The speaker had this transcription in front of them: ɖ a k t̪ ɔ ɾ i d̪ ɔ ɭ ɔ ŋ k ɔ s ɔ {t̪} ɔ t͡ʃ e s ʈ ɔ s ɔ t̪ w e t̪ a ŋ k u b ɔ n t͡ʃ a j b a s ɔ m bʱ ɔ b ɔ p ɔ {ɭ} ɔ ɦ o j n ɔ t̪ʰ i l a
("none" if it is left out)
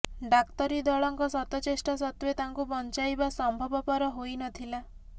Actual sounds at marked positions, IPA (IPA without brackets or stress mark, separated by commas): t̪, ɾ